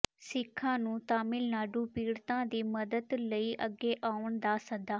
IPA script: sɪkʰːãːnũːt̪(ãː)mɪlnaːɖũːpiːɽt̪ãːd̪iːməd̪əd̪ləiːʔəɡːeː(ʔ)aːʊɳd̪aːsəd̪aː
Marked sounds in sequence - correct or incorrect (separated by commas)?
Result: incorrect, correct